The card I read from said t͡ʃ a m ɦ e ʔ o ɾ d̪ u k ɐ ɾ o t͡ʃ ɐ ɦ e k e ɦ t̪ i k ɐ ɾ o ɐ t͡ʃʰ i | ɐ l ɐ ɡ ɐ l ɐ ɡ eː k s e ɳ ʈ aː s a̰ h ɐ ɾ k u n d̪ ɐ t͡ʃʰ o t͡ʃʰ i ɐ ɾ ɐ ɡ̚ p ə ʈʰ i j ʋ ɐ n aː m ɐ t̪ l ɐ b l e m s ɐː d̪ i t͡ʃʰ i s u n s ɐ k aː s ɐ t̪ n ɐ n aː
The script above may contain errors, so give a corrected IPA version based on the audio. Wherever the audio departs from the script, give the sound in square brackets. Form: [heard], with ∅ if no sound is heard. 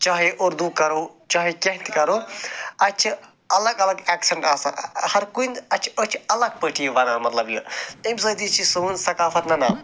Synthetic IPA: t͡ʃ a [∅] ɦ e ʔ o ɾ d̪ u k ɐ ɾ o t͡ʃ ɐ ɦ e k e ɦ t̪ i k ɐ ɾ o ɐ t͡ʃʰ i | ɐ l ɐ ɡ ɐ l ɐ ɡ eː k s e ɳ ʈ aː s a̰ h ɐ ɾ k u n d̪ ɐ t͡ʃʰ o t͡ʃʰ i ɐ [l] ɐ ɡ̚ p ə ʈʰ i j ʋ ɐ n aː m ɐ t̪ l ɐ b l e m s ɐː d̪ i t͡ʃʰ i s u n s ɐ k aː [f] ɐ t̪ n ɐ n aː

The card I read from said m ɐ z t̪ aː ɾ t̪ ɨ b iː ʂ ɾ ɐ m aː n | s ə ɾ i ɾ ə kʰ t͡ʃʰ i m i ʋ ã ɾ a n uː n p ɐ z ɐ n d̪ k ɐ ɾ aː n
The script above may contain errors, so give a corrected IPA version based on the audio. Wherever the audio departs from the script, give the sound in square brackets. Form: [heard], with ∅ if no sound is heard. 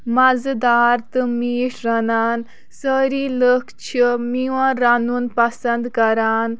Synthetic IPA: m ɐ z [d̪] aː ɾ t̪ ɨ [m] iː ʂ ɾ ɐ [n] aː n | s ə ɾ i [l] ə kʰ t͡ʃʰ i m i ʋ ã ɾ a n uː n p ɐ [s] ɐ n d̪ k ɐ ɾ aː n

